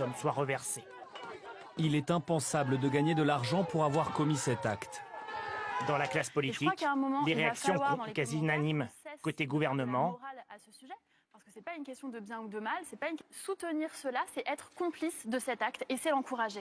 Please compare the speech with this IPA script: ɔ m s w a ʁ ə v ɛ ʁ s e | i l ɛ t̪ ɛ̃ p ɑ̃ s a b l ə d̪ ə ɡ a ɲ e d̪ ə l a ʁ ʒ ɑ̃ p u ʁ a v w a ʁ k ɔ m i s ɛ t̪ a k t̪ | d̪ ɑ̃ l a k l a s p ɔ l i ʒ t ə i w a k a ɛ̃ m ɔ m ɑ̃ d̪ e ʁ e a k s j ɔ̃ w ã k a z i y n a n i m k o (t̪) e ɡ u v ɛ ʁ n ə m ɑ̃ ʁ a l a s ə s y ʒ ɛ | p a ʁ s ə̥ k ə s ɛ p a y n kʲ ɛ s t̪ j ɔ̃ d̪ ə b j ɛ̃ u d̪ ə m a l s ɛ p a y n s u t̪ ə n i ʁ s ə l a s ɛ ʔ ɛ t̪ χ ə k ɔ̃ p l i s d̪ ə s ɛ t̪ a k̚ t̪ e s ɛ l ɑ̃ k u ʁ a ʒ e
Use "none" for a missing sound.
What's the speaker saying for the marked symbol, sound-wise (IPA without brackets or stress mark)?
t̪